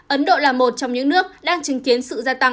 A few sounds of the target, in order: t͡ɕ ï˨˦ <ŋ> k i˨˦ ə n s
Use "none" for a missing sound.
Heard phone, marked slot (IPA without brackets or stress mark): ŋ